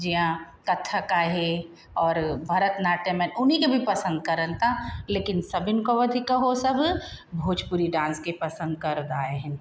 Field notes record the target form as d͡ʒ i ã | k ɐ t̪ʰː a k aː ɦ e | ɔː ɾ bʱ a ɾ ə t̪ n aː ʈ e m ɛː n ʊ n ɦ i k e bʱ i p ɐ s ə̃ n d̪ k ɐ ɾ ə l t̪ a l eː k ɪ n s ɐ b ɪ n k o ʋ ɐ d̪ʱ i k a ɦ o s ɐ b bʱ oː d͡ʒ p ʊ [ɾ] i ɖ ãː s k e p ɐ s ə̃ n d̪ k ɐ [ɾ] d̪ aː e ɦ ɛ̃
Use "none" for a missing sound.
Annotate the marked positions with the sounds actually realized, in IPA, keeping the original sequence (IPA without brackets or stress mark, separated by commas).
ɾ, ɾ